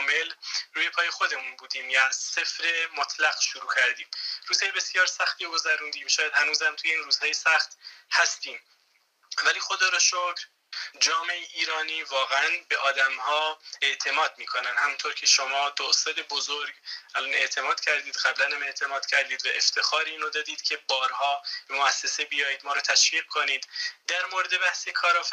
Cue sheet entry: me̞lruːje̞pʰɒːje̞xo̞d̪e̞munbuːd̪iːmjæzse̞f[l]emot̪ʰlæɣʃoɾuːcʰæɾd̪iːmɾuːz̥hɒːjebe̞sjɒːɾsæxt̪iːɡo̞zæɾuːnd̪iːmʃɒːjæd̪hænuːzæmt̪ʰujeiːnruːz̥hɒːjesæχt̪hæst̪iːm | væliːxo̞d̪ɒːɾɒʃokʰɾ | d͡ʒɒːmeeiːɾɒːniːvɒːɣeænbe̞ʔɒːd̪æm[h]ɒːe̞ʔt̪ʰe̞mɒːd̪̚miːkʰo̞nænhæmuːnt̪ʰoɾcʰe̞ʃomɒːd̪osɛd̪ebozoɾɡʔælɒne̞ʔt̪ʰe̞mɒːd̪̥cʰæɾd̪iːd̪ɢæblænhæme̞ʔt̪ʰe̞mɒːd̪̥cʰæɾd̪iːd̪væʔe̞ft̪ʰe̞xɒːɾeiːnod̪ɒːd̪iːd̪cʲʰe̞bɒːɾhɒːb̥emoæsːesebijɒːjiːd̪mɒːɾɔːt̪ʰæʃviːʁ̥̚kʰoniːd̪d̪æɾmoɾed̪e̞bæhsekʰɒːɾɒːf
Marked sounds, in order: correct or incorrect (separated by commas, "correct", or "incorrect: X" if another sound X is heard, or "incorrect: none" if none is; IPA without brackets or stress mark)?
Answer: incorrect: ɾ, correct